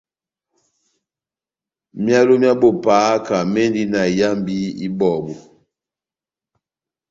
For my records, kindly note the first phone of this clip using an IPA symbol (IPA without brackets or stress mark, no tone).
m